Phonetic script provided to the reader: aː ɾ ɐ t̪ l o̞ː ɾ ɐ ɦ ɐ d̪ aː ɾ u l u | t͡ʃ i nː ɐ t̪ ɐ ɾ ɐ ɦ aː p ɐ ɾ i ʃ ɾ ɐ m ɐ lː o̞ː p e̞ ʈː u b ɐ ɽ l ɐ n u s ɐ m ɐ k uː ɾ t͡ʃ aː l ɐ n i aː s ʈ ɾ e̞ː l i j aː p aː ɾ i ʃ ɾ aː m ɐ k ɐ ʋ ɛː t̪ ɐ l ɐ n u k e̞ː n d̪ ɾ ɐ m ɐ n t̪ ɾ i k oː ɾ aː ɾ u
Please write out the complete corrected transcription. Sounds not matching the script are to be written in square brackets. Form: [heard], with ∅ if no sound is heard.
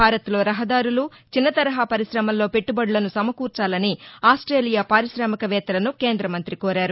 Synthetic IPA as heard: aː ɾ ɐ t̪ l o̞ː ɾ ɐ ɦ ɐ d̪ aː ɾ u l u | t͡ʃ i nː ɐ t̪ ɐ ɾ ɐ ɦ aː p ɐ ɾ i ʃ ɾ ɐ m ɐ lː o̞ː p e̞ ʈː u b ɐ ɽ l ɐ n u s ɐ m ɐ k uː ɾ t͡ʃ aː l ɐ n i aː s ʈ ɾ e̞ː l i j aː p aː ɾ i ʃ ɾ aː m ɐ k ɐ ʋ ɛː t̪ ɐ l ɐ n u k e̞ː n d̪ ɾ ɐ m ɐ n t̪ ɾ i k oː ɾ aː ɾ u